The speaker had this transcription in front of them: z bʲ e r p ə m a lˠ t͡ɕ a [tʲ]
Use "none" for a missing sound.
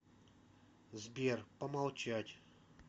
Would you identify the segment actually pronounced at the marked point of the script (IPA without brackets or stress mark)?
tʲ